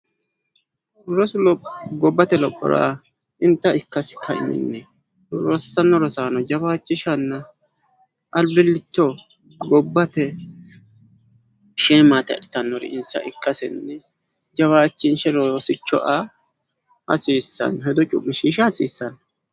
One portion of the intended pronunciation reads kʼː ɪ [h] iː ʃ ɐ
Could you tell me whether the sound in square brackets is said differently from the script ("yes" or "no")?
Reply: yes